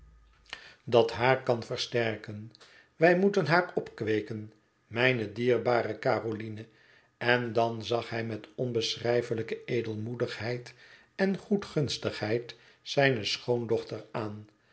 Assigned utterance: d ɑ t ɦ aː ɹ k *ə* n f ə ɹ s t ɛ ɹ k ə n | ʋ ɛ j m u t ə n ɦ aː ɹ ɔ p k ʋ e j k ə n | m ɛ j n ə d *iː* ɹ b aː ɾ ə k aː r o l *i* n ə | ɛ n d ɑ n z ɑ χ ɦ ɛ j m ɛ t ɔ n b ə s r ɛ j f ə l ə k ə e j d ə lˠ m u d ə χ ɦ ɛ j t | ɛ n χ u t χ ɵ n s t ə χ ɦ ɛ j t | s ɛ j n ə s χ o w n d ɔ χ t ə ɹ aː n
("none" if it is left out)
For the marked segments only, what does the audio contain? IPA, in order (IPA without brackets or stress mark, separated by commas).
ɑ, iː, i